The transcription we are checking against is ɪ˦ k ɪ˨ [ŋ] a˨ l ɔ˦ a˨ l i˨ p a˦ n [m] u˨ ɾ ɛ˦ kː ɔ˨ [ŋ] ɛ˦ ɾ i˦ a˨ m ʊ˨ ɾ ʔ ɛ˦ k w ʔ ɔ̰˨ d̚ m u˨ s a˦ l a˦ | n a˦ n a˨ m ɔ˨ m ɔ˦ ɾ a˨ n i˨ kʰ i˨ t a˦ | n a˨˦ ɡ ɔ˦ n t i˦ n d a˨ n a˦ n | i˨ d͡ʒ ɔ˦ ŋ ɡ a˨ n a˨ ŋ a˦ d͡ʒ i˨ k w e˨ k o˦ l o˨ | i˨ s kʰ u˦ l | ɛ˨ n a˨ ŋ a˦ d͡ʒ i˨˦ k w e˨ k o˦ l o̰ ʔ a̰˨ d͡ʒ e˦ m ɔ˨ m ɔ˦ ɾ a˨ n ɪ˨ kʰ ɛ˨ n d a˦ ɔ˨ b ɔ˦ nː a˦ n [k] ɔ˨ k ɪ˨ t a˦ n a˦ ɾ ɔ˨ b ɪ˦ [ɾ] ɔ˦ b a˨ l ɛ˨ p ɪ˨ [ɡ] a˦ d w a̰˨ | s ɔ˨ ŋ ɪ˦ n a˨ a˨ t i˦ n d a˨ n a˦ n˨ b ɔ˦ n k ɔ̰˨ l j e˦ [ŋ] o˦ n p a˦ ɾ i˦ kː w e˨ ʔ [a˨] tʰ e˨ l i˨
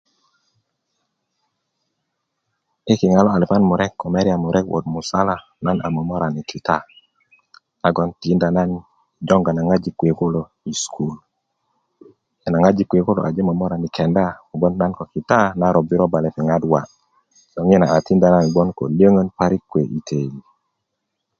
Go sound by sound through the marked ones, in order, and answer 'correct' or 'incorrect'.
correct, correct, incorrect: m, correct, correct, incorrect: ŋ, correct, incorrect: i˨

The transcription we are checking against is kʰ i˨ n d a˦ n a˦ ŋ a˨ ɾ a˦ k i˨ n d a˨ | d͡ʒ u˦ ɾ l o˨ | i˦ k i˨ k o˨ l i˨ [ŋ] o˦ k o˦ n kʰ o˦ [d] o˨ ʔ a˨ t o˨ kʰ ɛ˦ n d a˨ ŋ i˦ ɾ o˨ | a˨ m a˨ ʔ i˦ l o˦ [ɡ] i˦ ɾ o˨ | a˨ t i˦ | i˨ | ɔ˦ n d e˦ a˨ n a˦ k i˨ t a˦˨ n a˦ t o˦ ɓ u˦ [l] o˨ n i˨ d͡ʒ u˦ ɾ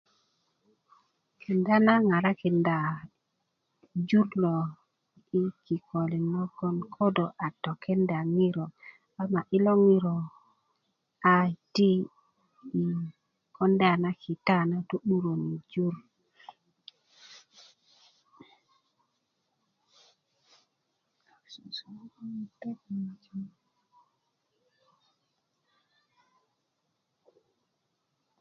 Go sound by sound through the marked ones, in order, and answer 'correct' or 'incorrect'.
incorrect: n, correct, incorrect: ŋ, incorrect: ɾ

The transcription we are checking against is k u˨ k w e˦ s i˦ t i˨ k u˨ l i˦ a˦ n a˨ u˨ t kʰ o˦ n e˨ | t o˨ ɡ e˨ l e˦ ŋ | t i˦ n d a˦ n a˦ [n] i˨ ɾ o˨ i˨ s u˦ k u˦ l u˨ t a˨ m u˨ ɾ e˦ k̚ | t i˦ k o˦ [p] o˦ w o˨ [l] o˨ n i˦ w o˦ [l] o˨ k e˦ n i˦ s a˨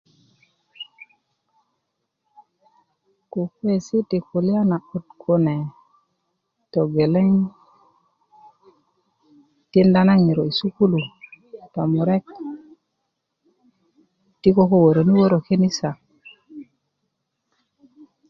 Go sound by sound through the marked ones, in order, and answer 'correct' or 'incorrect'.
incorrect: ŋ, incorrect: k, incorrect: ɾ, incorrect: ɾ

